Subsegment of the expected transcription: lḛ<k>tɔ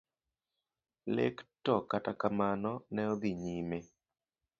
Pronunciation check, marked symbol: correct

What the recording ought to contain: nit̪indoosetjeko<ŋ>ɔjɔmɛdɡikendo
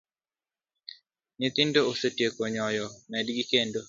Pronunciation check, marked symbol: incorrect: ɲ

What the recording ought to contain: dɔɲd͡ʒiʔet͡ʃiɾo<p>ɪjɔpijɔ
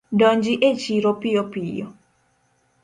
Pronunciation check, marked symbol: correct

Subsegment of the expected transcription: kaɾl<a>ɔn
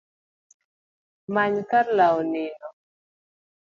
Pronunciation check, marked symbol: correct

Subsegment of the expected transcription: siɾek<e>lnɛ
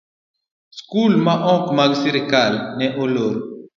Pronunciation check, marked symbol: incorrect: a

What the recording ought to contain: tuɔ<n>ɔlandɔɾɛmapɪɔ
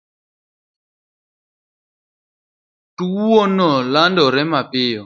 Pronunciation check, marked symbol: correct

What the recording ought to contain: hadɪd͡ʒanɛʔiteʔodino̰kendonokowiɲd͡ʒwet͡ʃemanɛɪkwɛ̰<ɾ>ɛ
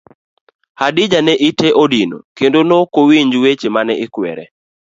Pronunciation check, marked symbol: correct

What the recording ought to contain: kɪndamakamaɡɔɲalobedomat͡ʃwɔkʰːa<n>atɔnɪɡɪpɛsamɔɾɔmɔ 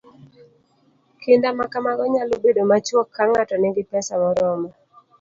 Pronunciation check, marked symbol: incorrect: ŋ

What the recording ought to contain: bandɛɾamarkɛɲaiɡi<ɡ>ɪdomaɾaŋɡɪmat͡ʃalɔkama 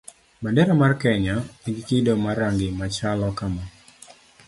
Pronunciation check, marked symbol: incorrect: k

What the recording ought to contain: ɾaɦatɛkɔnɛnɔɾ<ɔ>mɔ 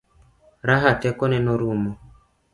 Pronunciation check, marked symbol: incorrect: u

